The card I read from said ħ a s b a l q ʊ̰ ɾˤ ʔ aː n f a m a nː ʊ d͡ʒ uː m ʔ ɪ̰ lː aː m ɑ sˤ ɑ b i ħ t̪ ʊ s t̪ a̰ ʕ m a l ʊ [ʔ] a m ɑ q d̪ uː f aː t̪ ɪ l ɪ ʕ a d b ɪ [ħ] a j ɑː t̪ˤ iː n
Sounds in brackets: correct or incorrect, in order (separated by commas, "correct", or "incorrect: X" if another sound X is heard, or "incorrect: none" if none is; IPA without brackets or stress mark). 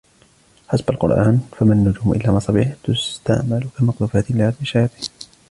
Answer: incorrect: k, incorrect: ʃ